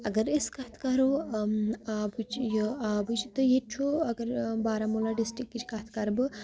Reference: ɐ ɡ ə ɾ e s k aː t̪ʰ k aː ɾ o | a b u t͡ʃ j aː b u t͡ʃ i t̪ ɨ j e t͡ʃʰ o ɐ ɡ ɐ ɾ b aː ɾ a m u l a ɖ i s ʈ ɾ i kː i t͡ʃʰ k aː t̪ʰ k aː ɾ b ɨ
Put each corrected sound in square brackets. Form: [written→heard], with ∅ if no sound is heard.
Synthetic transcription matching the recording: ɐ ɡ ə ɾ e s k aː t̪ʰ k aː ɾ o | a b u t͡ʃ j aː b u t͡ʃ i t̪ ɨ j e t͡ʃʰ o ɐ ɡ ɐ ɾ b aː ɾ a m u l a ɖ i s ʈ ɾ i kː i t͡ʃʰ k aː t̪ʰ k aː ɾ b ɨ